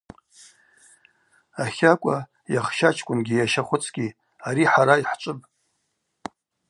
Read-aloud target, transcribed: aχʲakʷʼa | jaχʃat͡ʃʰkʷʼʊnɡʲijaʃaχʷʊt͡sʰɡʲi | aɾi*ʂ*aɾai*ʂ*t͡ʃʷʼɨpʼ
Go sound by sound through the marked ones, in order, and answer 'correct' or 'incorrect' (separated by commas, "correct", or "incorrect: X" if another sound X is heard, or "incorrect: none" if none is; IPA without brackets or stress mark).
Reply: incorrect: ħ, incorrect: ħ